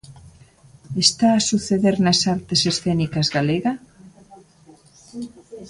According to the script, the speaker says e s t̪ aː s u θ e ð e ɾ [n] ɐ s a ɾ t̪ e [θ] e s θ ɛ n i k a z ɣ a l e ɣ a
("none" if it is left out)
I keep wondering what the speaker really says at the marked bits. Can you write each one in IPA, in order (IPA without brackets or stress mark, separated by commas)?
n, s